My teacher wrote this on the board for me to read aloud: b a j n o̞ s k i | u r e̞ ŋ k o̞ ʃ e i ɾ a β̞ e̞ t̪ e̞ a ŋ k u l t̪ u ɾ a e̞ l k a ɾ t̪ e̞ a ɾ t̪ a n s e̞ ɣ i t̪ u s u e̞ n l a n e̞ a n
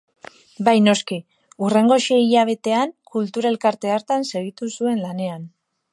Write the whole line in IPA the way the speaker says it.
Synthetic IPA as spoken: b a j n o̞ s k i | u r e̞ ŋ ɡ o̞ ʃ e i ʎ a β̞ e̞ t̪ e̞ a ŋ k u l t̪ u ɾ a e̞ l k a ɾ t̪ e̞ a ɾ t̪ a n s e̞ ɣ i t̪ u s u e̞ n l a n e̞ a n